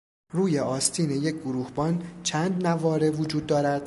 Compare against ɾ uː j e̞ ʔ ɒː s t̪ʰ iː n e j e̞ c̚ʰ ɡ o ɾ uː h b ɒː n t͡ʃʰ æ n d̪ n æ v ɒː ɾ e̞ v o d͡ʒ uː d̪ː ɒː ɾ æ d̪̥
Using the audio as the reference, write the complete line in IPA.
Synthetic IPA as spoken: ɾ uː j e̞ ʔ ɒː s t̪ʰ iː n e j e̞ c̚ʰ ɡ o ɾ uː h b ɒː n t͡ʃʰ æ n d̪ n æ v ɒː ɾ e̞ v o d͡ʒ uː d̪ː ɒː ɾ æ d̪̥